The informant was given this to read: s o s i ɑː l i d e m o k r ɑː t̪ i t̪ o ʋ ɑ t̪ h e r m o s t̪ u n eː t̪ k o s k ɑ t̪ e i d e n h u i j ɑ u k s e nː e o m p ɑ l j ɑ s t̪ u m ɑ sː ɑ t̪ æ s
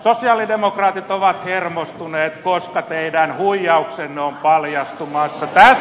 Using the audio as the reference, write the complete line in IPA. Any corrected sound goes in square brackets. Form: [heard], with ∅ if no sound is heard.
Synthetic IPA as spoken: s o s i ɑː l i d e m o k r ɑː t̪ i t̪ o ʋ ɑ t̪ h e r m o s t̪ u n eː t̪ k o s k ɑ t̪ e i d [æ] n h u i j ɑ u k s e nː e o m p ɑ l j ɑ s t̪ u m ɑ sː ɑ t̪ æ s